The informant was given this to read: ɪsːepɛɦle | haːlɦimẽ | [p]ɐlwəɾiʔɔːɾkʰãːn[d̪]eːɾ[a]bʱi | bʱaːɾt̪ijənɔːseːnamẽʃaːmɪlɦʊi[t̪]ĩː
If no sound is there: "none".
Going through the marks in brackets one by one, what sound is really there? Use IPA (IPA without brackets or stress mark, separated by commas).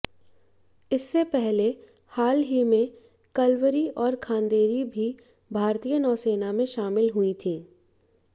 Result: k, d̪, i, t̪ʰ